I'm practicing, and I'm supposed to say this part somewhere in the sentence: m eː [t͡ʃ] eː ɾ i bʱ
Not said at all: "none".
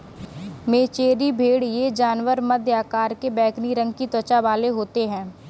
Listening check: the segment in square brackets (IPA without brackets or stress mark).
t͡ʃ